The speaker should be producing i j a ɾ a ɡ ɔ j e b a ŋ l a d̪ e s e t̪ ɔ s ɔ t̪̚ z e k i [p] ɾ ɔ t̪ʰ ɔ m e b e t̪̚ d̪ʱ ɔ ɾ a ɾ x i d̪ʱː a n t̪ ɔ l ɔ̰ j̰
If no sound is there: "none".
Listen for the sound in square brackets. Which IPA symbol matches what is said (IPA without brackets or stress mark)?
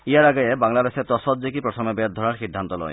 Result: p